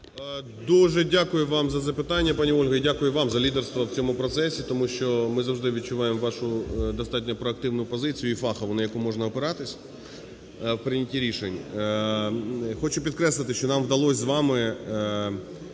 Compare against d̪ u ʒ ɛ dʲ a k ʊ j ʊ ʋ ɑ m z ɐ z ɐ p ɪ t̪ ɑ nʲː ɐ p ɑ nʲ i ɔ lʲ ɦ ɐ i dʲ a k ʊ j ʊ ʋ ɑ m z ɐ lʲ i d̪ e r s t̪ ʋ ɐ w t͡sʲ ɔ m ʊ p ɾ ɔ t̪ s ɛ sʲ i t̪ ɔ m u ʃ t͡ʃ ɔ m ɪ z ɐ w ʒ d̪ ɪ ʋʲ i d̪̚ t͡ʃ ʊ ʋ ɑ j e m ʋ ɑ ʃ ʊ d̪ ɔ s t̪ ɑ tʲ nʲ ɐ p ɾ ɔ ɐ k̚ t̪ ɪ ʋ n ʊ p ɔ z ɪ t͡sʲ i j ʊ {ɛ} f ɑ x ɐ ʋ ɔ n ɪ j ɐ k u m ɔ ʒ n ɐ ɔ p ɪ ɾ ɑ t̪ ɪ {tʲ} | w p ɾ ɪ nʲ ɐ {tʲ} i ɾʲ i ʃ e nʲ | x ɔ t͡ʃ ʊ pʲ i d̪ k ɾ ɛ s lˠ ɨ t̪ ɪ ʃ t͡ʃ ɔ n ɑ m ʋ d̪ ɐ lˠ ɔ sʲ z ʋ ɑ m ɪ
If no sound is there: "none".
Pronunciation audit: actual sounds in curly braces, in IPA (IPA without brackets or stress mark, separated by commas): i, sʲ, tʲ